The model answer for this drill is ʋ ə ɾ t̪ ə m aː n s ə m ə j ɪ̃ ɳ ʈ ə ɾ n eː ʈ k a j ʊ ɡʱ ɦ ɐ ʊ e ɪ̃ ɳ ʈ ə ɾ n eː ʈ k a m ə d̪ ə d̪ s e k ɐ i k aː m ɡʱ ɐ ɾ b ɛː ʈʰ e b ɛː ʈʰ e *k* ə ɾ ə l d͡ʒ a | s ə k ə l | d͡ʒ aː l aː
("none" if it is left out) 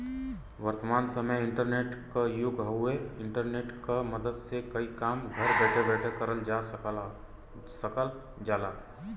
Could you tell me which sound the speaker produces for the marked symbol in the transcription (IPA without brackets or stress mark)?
k